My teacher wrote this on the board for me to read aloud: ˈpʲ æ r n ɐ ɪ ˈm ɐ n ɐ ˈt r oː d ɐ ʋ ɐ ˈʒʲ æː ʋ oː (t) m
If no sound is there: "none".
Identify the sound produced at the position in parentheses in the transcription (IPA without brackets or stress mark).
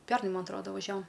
none